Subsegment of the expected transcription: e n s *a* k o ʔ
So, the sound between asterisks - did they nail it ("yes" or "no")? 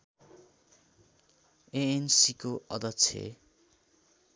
no